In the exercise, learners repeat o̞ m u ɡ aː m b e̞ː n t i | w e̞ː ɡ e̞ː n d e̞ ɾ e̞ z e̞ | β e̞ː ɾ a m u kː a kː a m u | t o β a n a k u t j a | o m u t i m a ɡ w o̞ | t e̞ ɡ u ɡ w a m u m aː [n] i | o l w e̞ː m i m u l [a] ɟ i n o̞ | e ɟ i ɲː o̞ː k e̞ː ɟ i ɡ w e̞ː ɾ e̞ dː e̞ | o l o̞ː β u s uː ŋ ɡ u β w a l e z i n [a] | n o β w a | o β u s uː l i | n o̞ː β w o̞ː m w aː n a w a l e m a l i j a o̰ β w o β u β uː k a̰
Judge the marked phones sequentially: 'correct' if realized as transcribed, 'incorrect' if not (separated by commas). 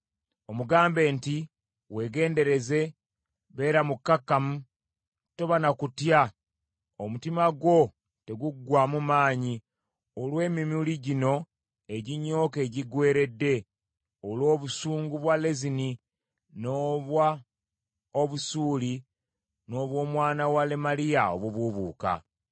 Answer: incorrect, incorrect, incorrect